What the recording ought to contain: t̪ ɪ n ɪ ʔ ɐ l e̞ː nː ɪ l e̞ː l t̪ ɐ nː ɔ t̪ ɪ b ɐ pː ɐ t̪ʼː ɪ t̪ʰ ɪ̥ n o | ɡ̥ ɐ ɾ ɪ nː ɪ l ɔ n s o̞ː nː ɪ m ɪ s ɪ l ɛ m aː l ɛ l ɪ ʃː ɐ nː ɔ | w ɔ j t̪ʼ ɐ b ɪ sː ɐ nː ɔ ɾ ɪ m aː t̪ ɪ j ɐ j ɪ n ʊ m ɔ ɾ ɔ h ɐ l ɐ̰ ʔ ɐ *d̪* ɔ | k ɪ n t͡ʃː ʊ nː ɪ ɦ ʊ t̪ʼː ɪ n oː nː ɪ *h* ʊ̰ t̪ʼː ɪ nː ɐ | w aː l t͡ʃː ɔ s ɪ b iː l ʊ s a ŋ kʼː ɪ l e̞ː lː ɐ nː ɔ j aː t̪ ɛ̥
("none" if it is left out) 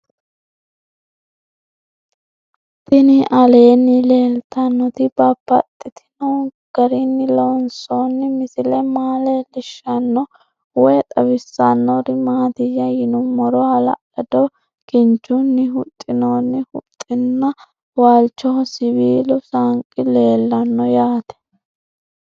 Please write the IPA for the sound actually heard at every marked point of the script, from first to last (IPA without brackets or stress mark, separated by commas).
d̪, h